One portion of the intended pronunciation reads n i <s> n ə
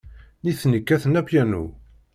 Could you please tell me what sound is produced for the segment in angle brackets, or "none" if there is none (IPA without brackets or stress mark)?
θ